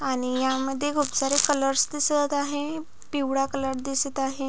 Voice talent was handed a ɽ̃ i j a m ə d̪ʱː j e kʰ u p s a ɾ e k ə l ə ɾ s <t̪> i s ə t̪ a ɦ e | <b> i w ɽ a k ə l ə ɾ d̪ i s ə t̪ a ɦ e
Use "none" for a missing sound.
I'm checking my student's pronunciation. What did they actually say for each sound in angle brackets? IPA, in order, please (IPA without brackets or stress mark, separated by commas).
d̪, p